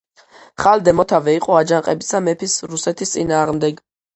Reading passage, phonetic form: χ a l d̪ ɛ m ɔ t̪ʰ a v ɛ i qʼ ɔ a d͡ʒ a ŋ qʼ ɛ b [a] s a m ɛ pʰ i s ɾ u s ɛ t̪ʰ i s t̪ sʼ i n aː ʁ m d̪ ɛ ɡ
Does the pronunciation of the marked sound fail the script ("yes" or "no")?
yes